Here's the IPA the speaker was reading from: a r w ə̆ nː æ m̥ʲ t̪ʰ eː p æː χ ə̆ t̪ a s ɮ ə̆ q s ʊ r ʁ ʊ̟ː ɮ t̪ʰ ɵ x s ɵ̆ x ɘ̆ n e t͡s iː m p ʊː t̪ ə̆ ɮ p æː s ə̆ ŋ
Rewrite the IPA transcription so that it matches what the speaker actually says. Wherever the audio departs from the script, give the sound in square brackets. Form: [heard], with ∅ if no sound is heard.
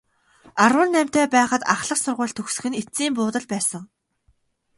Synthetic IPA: a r w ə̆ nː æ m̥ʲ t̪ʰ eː p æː χ ə̆ t̪ a [χ] ɮ ə̆ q s ʊ r ʁ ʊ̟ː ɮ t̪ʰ ɵ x s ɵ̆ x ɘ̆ n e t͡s iː m p ʊː t̪ ə̆ ɮ p æː s ə̆ ŋ